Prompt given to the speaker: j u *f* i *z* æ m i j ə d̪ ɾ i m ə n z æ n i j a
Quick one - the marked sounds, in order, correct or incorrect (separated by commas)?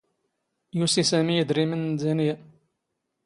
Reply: incorrect, incorrect